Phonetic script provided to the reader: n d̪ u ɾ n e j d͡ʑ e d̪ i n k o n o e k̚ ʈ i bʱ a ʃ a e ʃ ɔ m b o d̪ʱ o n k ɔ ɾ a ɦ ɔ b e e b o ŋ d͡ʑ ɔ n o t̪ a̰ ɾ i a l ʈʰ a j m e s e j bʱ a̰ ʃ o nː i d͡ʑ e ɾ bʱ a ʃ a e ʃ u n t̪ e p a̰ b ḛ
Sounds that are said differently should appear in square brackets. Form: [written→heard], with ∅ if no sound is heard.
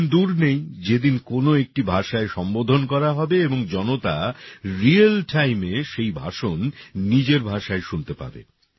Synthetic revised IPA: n d̪ u ɾ n e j d͡ʑ e d̪ i n k o n o e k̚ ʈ i bʱ a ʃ a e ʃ ɔ m b o d̪ʱ o n k ɔ ɾ a ɦ ɔ b e e b o ŋ d͡ʑ ɔ n o t̪ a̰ ɾ i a l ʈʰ a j m e [s→ʃ] e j bʱ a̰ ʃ o nː i d͡ʑ e ɾ bʱ a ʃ a e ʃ u n t̪ e p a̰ b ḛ

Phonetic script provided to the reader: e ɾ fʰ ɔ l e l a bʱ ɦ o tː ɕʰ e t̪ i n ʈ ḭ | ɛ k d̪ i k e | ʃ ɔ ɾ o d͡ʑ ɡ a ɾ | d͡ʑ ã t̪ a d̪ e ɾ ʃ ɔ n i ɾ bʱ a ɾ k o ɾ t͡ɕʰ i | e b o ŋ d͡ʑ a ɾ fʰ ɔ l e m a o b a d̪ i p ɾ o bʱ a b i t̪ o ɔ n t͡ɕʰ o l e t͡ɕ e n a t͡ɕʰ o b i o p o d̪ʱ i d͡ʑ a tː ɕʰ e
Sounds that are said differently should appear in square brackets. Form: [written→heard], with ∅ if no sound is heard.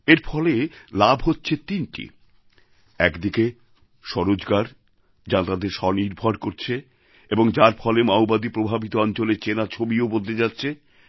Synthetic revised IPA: e ɾ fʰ ɔ l e l a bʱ ɦ o tː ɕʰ e t̪ i n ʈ ḭ | ɛ k d̪ i k e | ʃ ɔ ɾ o d͡ʑ ɡ a ɾ | d͡ʑ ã t̪ a d̪ e ɾ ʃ ɔ n i ɾ bʱ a ɾ k o ɾ t͡ɕʰ [i→e] | e b o ŋ d͡ʑ a ɾ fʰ ɔ l e m a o b a d̪ i p ɾ o bʱ a b i t̪ o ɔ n [t͡ɕʰ→t͡ɕ] o l e t͡ɕ e n a t͡ɕʰ o b i o [p→b] o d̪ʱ [i→e] d͡ʑ a tː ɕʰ e

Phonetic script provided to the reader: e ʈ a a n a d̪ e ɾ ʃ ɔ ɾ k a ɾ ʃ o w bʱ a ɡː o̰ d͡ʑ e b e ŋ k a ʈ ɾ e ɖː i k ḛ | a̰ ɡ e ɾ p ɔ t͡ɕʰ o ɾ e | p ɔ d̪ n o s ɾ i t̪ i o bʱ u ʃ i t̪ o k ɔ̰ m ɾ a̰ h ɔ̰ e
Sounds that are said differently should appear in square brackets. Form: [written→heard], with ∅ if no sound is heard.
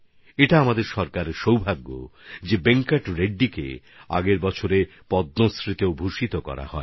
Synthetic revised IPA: e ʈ a a [n→m] a d̪ e ɾ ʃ ɔ ɾ k a ɾ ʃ o w bʱ a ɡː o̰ d͡ʑ e b e ŋ k a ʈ ɾ e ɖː i k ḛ | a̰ ɡ e ɾ [p→b] ɔ t͡ɕʰ o ɾ e | p ɔ d̪ n o s ɾ i t̪ [i→e] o bʱ u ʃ i t̪ o k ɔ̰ [m→∅] ɾ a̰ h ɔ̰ e

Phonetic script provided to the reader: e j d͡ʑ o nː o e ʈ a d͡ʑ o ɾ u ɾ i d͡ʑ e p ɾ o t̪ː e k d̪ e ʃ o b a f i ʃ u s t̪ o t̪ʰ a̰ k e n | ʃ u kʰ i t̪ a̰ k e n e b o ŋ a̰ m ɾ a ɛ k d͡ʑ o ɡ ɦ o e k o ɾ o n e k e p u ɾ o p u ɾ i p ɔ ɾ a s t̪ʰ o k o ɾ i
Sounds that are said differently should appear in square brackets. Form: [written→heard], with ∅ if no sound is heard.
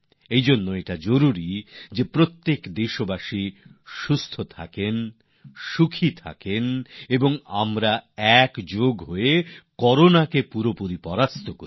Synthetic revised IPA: e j d͡ʑ o nː o e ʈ a d͡ʑ o ɾ u ɾ i d͡ʑ e p ɾ o t̪ː e k d̪ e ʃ o b a [f→ʃ] i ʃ u s [t̪→t̪ʰ] o t̪ʰ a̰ k e n | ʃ u kʰ i [t̪→t̪ʰ] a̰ k e n e b o ŋ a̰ m ɾ a ɛ k d͡ʑ o ɡ ɦ o e k [o→ɔ] ɾ o n [e→a] k e p u ɾ o p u ɾ i p ɔ ɾ a s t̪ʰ o k o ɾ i

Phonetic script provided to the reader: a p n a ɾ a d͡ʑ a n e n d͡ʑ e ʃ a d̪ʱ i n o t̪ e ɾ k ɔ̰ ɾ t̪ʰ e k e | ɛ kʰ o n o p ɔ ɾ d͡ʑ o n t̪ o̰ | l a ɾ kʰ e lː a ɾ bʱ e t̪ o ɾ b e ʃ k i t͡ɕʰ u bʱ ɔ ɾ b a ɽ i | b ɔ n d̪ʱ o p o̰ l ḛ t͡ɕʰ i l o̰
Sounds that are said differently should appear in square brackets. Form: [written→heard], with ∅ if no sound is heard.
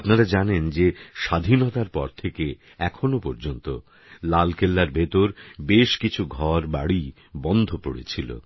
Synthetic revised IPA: a p n a ɾ a d͡ʑ a n e n d͡ʑ e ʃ a d̪ʱ i n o t̪ [e→a] ɾ [k→p] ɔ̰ ɾ t̪ʰ e k e | ɛ kʰ o n o p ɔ ɾ d͡ʑ o n t̪ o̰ | l a [ɾ→l] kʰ e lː a ɾ bʱ e t̪ o ɾ b e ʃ k i t͡ɕʰ u [bʱ→ɡʱ] ɔ ɾ b a ɽ i | b ɔ n d̪ʱ o p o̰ [l→ɽ] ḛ t͡ɕʰ i l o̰

